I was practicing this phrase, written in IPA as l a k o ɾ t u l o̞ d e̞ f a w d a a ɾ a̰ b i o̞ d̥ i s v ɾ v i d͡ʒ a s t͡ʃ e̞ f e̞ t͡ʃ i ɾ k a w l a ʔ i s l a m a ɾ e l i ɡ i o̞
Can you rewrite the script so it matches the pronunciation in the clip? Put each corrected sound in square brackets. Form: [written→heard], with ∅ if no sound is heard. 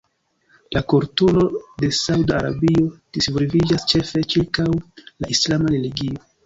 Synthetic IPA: l a k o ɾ t u l o̞ d e̞ [f→s] a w d a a ɾ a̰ b i o̞ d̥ i s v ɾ v i d͡ʒ a s t͡ʃ e̞ f e̞ t͡ʃ i ɾ k a w l a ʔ i s l a m a ɾ e l i ɡ i o̞